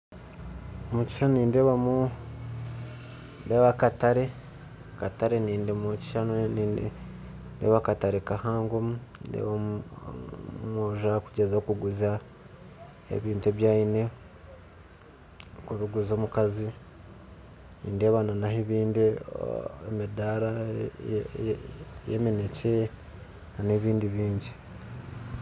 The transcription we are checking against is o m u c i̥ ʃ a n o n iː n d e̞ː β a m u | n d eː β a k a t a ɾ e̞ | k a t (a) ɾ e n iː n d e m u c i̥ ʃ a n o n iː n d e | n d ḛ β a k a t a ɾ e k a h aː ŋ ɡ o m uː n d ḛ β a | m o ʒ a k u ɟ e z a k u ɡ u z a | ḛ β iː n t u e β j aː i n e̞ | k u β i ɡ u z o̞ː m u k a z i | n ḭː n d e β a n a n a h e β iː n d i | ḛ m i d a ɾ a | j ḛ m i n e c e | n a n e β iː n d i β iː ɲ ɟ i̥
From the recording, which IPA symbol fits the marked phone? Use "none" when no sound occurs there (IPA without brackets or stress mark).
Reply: a